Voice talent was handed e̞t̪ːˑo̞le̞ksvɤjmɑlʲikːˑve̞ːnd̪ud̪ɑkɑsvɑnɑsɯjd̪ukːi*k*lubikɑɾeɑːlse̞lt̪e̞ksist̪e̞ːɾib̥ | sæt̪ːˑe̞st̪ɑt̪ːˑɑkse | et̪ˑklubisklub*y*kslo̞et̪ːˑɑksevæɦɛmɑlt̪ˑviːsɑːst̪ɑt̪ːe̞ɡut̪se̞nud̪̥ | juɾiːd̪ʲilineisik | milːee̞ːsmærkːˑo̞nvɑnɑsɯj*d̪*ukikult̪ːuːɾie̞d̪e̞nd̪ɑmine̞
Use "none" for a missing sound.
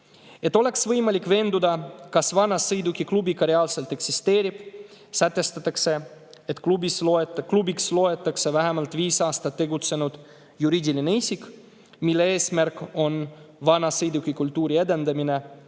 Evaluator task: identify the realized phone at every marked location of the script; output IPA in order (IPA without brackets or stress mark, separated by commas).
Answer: k, i, d̪